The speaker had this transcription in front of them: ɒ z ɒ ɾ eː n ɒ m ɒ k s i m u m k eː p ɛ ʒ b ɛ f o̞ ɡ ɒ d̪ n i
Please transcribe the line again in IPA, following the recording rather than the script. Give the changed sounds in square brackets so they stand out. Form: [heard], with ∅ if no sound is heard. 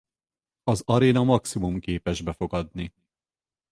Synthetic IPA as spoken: ɒ z ɒ ɾ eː n ɒ m ɒ k s i m u m k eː p ɛ ʒ b ɛ f o̞ ɡ ɒ d̪ n i